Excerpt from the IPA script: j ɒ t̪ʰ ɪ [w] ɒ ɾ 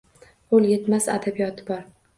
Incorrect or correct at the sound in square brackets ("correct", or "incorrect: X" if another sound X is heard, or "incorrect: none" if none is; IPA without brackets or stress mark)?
incorrect: b